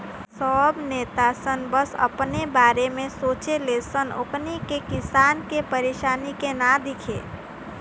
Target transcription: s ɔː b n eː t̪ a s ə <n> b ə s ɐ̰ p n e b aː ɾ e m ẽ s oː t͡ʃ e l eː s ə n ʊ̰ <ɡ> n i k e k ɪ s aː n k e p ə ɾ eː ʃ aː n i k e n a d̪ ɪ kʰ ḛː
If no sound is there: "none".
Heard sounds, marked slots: n, k

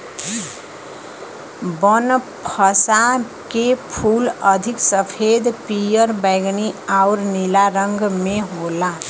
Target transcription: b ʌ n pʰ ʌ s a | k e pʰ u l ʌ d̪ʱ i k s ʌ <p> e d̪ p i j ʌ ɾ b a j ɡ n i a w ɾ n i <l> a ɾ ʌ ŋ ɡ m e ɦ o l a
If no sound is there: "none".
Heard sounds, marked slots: pʰ, l

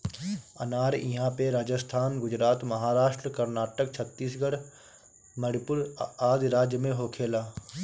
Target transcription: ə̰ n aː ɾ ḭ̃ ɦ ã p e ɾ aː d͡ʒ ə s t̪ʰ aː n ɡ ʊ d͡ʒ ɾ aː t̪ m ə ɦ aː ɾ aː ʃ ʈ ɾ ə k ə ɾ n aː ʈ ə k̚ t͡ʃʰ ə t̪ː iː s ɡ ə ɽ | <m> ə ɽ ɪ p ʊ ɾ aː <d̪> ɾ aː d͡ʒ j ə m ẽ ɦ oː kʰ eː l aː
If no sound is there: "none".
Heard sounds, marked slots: m, d̪

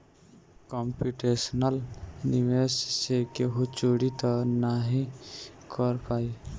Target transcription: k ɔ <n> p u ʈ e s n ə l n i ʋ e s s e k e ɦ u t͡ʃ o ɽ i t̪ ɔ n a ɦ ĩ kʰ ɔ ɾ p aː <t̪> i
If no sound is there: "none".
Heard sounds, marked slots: m, none

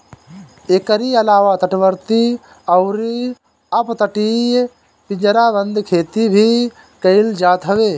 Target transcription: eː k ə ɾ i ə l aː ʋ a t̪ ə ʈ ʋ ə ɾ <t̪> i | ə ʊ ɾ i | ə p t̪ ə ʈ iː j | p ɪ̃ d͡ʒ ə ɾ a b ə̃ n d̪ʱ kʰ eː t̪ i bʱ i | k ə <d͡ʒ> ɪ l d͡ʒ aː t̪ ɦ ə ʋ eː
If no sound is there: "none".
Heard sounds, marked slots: t̪, none

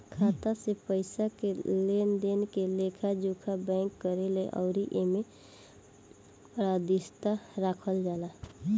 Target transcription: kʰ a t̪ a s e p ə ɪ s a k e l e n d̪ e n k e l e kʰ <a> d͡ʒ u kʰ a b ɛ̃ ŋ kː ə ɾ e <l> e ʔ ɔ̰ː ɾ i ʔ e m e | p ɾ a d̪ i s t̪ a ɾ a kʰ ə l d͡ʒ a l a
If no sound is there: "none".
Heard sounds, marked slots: a, l

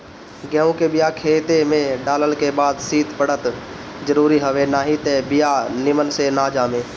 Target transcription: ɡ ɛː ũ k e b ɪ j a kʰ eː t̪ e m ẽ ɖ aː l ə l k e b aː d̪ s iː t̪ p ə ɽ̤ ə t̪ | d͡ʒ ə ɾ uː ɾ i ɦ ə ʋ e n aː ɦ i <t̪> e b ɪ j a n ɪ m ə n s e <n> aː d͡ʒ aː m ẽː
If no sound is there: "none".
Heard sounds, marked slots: t̪, n

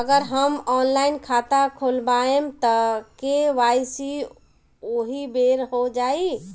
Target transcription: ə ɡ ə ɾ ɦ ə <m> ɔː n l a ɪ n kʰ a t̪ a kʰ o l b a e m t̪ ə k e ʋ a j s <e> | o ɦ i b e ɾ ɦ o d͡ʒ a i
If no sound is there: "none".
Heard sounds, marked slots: m, i

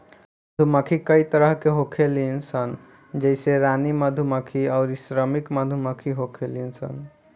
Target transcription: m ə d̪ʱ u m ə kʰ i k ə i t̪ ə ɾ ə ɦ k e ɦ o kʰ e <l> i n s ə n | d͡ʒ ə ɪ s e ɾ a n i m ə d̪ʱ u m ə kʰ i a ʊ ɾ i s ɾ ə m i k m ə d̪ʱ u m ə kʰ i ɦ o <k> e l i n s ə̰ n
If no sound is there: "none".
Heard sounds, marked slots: l, kʰ

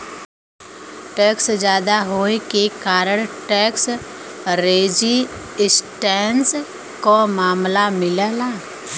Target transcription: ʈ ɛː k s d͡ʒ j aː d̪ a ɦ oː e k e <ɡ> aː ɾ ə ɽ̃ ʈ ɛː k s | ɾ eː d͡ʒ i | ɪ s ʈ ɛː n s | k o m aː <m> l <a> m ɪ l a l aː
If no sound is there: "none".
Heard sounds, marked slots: k, m, a

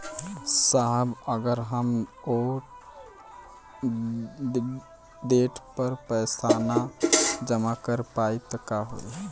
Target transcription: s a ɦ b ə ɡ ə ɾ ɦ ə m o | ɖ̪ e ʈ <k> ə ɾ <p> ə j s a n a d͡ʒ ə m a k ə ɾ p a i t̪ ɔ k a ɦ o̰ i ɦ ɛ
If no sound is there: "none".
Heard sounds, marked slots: p, p

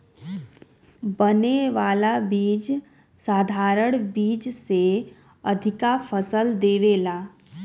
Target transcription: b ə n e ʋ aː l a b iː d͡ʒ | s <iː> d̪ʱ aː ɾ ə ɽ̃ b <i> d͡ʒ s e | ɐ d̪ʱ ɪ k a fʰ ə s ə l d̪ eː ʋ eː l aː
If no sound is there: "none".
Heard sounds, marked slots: aː, iː

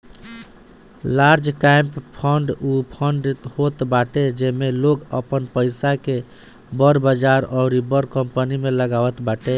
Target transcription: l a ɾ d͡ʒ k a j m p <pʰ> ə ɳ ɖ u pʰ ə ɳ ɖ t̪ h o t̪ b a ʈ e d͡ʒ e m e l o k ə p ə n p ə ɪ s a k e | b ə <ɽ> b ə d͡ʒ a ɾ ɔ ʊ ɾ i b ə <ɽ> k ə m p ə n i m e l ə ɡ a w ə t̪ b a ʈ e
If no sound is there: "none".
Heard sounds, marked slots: pʰ, ɾ, ɾ

